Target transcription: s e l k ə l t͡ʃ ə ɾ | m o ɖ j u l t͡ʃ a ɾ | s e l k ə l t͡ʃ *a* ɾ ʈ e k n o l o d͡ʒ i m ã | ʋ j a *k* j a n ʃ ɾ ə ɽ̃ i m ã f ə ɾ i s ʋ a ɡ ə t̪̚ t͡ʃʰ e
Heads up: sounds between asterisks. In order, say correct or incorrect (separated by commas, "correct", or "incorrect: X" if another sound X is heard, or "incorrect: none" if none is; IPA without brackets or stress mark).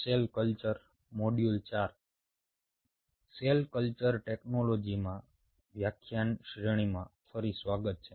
incorrect: ə, incorrect: kʰ